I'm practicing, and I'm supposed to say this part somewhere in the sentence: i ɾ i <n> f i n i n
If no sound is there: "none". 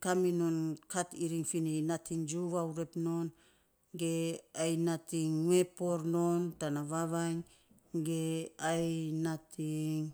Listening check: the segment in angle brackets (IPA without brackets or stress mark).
ŋ